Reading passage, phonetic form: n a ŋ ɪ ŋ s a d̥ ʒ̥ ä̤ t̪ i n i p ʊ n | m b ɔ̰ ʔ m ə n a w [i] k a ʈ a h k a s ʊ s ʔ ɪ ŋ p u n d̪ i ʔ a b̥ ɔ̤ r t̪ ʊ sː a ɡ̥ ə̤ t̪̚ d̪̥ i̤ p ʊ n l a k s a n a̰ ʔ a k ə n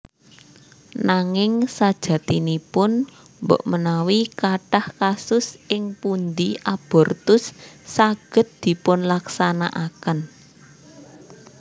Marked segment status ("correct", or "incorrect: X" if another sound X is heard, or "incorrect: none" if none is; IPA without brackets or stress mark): correct